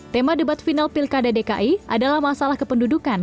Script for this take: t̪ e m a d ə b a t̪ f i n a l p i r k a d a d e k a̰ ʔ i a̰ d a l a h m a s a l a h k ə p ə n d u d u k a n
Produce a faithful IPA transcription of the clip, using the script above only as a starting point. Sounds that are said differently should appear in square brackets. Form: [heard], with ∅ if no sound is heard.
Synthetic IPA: t̪ e m a d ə b a t̪ f i n a l p i [l] k a d a d e k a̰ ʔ i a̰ d a l a h m a s a l a h k ə p ə n d u d u k a n